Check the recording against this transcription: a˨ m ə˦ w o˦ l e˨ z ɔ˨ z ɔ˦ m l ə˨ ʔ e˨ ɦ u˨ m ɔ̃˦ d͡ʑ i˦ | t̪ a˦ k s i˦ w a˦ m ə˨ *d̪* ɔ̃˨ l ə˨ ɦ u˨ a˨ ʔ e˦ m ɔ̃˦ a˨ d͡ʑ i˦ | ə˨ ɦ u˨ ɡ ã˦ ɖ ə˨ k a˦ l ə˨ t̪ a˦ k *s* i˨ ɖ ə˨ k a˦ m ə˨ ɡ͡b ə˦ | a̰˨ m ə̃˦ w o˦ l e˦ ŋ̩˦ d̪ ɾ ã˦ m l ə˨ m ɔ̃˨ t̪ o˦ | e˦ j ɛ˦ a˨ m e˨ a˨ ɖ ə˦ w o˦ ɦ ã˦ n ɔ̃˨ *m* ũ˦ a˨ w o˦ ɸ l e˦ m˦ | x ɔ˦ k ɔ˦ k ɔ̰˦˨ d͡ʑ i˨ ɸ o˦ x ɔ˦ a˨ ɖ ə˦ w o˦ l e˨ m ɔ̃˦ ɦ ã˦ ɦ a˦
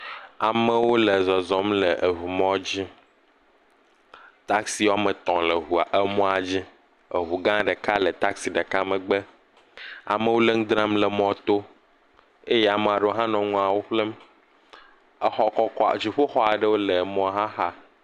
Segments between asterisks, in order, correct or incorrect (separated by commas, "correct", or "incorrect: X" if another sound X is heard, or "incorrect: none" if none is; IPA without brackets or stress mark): incorrect: t̪, correct, incorrect: ŋ